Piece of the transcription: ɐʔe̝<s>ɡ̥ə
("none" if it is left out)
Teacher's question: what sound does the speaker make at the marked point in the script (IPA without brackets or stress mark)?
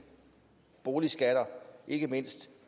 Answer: none